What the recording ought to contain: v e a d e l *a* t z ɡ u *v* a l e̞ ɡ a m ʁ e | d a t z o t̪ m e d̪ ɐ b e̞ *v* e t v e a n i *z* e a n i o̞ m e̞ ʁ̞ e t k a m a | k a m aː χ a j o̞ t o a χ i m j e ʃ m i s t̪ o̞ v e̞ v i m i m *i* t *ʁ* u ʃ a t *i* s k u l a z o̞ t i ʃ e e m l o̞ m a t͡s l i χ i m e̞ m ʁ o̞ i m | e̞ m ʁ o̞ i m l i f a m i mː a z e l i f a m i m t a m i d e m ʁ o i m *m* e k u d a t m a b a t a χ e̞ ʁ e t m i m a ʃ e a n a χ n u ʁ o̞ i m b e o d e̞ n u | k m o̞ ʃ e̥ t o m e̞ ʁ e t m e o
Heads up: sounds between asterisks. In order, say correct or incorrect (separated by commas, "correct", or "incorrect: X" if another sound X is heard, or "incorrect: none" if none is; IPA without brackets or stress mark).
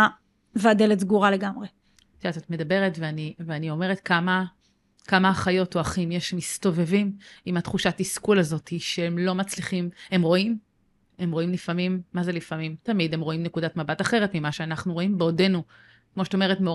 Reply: incorrect: e, incorrect: ʁ, incorrect: ʁ, incorrect: v, incorrect: a, incorrect: χ, correct, incorrect: n